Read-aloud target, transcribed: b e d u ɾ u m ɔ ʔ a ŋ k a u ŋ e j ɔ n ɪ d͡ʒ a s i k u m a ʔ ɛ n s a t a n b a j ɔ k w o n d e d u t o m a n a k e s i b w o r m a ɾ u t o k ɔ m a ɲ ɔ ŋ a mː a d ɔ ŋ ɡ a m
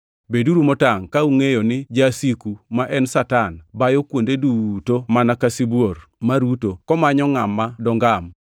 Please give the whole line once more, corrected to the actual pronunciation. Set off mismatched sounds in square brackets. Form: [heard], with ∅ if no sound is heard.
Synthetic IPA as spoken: b e d u ɾ u m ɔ [t] a ŋ k a u ŋ e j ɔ n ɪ d͡ʒ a s i k u m a ʔ ɛ n s a t a n b a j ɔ k w o n d e d u t o m a n a k [a] s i b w o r m a ɾ u t o k ɔ m a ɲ ɔ ŋ a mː a d ɔ ŋ ɡ a m